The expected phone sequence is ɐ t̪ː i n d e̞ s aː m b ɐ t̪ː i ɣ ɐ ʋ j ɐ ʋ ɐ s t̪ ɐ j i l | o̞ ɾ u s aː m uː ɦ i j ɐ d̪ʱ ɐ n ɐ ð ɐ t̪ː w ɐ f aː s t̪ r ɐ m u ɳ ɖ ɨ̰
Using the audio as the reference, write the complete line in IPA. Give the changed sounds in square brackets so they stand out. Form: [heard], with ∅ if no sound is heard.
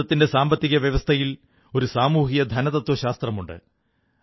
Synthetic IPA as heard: ɐ t̪ː i n d e̞ s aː m b ɐ t̪ː i ɣ ɐ ʋ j ɐ ʋ ɐ s [t̪ʰ] ɐ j i l | o̞ ɾ u s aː m uː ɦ i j ɐ d̪ʱ ɐ n ɐ ð ɐ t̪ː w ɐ [ɕ] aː s t̪ r ɐ m u ɳ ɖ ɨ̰